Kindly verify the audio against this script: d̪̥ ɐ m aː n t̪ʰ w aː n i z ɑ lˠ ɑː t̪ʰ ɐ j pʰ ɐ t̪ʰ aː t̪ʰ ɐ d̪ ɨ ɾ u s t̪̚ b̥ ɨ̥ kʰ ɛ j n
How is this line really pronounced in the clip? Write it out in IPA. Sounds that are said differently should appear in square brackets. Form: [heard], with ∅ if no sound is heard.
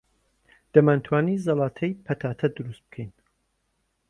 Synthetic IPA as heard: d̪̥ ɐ m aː n t̪ʰ w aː n i z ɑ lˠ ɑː t̪ʰ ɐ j pʰ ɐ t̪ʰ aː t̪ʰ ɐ d̪ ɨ ɾ u s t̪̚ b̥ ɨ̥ kʰ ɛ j n